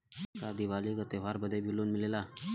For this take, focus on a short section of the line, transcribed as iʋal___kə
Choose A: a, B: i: B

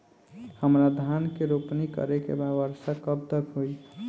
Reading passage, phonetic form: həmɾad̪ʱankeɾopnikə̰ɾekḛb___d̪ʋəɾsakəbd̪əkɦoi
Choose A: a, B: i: A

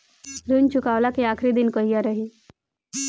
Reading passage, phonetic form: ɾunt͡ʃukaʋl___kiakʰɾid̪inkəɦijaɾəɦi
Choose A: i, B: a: B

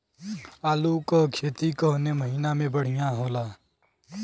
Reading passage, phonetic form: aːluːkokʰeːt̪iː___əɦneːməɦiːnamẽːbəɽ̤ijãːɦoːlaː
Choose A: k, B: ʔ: A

